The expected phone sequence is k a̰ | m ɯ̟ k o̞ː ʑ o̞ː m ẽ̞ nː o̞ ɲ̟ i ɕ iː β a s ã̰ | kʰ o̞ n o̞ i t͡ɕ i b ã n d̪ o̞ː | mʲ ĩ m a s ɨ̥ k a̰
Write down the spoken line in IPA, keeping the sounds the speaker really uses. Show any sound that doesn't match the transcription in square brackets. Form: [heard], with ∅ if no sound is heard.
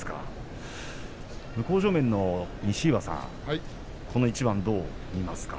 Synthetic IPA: k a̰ | m ɯ̟ k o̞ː ʑ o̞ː m ẽ̞ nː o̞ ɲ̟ i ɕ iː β a s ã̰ | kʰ o̞ n o̞ i t͡ɕ i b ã n d̪ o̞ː | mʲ [i] m a s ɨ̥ k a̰